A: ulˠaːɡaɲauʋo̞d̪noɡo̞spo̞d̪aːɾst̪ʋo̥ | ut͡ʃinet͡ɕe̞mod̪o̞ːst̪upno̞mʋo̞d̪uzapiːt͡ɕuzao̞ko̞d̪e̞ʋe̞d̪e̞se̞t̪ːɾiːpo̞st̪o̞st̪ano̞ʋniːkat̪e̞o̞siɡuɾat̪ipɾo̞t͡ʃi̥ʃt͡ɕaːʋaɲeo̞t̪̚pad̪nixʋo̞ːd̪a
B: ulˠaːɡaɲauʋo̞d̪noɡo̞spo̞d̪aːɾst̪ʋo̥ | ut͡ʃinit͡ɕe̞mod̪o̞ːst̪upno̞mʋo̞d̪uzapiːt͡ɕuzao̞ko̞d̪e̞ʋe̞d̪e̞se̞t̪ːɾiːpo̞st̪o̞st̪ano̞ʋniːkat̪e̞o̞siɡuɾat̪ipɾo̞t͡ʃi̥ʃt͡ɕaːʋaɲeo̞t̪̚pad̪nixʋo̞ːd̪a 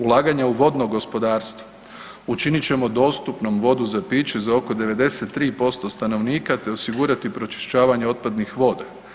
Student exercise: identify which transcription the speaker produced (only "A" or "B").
B